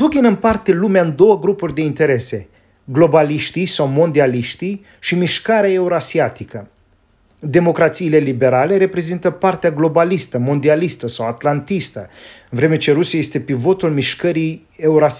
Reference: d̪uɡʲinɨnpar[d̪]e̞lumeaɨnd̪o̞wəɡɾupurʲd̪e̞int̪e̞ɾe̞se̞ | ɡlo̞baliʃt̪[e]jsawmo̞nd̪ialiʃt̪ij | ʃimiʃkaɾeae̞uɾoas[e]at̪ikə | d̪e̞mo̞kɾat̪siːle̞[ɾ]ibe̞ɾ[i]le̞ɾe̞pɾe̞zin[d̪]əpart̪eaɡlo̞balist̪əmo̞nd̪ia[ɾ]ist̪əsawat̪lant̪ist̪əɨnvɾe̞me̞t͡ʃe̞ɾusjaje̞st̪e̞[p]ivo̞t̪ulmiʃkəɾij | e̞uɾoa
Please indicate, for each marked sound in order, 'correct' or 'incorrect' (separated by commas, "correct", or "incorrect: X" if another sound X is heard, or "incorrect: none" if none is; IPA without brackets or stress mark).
incorrect: t̪, incorrect: i, incorrect: i, incorrect: l, incorrect: a, incorrect: t̪, incorrect: l, correct